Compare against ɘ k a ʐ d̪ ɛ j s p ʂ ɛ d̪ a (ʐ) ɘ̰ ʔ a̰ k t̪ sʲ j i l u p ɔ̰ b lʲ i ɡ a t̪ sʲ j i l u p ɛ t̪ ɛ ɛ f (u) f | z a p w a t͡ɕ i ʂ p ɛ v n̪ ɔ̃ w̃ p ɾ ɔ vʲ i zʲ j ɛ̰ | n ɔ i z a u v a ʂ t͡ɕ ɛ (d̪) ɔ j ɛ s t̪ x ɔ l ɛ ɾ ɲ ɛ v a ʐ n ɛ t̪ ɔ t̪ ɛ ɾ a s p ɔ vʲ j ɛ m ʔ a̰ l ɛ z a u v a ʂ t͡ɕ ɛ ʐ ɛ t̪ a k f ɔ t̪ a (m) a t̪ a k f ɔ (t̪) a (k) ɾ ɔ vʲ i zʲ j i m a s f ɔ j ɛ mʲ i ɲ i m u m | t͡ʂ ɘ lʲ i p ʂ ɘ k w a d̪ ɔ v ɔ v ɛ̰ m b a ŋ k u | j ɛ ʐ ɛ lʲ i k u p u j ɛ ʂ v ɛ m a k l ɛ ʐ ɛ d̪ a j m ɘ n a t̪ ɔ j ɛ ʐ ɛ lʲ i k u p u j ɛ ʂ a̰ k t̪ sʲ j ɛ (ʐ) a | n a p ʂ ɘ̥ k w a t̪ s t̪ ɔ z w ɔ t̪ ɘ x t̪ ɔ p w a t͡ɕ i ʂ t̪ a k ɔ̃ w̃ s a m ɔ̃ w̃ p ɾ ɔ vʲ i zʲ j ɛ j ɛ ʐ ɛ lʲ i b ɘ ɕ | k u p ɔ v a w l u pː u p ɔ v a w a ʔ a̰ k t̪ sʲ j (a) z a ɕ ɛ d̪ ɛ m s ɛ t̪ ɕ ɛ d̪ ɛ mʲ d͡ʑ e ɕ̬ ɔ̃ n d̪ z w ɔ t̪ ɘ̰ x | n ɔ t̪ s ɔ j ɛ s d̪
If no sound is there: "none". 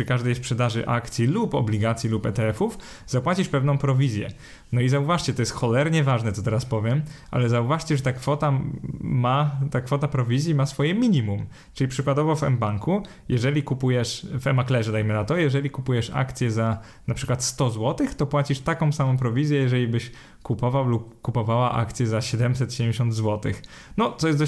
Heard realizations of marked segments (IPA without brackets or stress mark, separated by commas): ʐ, u, t̪, m, t̪, p, z, ɛ